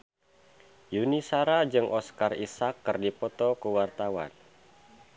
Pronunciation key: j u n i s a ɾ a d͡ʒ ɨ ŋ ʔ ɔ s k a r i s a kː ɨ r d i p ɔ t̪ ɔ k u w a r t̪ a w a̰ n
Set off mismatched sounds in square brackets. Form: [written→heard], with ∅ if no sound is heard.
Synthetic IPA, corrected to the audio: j u n i s a ɾ a d͡ʒ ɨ ŋ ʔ ɔ s k a r i s a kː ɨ r d i p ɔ t̪ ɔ k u w a r t̪ a w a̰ n